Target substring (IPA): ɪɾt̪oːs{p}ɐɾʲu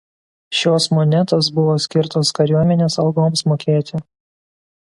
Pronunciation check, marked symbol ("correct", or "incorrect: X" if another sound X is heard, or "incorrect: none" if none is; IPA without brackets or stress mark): incorrect: k